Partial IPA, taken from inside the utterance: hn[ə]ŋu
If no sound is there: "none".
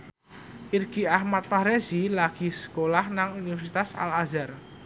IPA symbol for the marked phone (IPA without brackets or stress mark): a